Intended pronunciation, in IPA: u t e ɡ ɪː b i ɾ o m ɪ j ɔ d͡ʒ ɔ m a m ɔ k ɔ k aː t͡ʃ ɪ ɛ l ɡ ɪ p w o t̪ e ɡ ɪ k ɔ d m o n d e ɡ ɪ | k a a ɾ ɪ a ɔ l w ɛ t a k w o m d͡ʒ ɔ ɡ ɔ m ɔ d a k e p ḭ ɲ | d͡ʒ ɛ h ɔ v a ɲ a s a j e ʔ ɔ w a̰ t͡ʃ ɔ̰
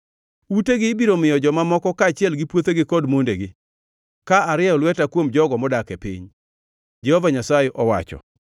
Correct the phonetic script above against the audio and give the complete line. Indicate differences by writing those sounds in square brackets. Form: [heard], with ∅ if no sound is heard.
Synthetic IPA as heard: u t e ɡ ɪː b i ɾ o m ɪ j ɔ d͡ʒ ɔ m a m ɔ k ɔ k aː t͡ʃ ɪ ɛ l ɡ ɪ p w o t̪ e ɡ ɪ k ɔ d m o n d e ɡ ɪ | k a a ɾ ɪ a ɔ l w ɛ t a k w o m d͡ʒ ɔ ɡ ɔ m ɔ d a k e p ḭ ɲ | d͡ʒ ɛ h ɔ v a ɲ a s a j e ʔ ɔ w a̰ t͡ʃ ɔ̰